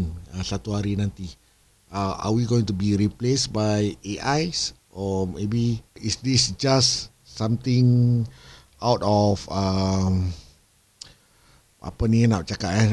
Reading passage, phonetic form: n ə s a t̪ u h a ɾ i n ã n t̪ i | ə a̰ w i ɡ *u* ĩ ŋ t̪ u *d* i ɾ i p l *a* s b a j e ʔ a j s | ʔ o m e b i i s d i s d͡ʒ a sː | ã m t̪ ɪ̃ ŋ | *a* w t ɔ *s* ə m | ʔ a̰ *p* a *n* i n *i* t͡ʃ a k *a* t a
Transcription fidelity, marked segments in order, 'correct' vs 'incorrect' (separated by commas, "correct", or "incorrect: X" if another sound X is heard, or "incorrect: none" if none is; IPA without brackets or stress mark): incorrect: o, incorrect: b, incorrect: e, correct, incorrect: f, correct, correct, incorrect: a, correct